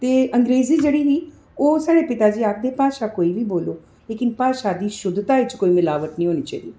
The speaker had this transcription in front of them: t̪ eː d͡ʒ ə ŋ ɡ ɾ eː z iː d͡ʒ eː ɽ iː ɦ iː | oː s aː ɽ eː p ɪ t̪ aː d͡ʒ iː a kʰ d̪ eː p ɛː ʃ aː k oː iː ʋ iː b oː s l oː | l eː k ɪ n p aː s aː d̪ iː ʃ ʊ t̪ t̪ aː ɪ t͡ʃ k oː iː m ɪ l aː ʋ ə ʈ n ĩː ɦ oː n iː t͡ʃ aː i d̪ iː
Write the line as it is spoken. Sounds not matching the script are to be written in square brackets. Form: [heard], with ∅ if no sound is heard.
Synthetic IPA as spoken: t̪ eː [∅] ə ŋ ɡ ɾ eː z iː d͡ʒ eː ɽ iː ɦ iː | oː s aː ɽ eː p ɪ t̪ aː d͡ʒ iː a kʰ d̪ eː p [aː] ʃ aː k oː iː ʋ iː b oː [∅] l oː | l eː k ɪ n p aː [ʃ] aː d̪ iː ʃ ʊ [d̪] t̪ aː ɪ t͡ʃ k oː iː m ɪ l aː ʋ ə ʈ n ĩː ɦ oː n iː t͡ʃ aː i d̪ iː